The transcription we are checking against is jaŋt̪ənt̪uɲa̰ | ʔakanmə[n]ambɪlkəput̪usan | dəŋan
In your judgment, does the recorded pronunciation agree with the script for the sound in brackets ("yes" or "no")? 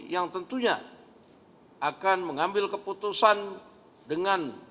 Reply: no